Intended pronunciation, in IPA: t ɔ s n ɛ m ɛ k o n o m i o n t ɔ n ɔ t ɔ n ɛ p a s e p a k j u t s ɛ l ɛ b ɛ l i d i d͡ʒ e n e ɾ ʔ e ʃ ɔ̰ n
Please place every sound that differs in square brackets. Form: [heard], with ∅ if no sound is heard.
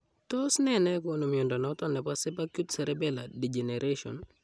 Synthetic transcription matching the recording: t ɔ s n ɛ [n] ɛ k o n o m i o n [d] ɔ n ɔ t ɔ n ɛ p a s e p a k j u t s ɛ [ɾ] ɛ b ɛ l [a] d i d͡ʒ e n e ɾ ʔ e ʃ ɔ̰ n